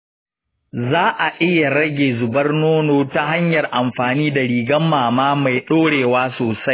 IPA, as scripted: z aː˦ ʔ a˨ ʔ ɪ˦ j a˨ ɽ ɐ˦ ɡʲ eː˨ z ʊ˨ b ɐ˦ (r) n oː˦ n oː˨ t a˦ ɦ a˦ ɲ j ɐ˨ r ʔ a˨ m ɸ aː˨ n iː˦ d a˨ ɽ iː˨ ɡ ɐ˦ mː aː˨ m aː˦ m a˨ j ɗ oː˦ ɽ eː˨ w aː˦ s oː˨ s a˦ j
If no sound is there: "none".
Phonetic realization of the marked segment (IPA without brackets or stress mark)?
r